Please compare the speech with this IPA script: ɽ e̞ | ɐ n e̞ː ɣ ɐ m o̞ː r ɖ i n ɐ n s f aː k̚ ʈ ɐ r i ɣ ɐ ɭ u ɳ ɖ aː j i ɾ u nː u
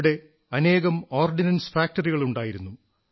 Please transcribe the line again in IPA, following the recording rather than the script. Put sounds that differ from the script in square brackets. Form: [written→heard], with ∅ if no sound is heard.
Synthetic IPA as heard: ɽ e̞ | ɐ n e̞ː ɣ ɐ m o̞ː r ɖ i n ɐ n s f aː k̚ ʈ ɐ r i ɣ ɐ ɭ u ɳ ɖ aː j i ɾ u nː u